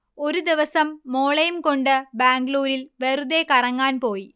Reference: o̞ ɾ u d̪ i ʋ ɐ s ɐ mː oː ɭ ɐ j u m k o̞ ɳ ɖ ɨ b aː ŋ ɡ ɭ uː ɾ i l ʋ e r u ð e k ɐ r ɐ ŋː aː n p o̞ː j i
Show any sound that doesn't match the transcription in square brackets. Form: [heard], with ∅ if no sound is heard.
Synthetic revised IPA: o̞ ɾ u d̪ i ʋ ɐ s ɐ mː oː ɭ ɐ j u m k o̞ ɳ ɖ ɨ b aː ŋ ɡ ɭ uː ɾ i l ʋ e r u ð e k ɐ r ɐ ŋː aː n p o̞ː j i